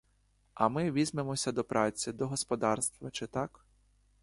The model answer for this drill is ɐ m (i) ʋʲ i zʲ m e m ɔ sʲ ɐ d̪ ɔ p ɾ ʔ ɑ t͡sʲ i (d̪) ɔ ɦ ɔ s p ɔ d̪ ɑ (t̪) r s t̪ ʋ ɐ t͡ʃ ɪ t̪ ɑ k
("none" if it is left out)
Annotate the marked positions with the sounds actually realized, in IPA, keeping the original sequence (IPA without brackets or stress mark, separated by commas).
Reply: ɪ, d̪, none